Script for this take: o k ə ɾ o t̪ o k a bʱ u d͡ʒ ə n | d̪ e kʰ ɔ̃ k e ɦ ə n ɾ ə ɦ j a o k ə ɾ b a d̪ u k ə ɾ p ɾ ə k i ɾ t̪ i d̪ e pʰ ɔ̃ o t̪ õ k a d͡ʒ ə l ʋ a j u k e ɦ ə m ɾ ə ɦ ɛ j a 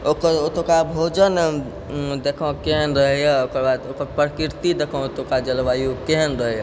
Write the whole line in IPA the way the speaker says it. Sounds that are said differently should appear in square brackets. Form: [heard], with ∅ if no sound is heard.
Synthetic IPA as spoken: o k ə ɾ o t̪ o k a bʱ [o] d͡ʒ ə n | d̪ e kʰ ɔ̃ k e ɦ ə n ɾ ə ɦ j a o k ə ɾ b a d̪ [o] k ə ɾ p ɾ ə k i ɾ t̪ i d̪ e [kʰ] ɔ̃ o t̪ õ k a d͡ʒ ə l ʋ a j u k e ɦ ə [n] ɾ ə ɦ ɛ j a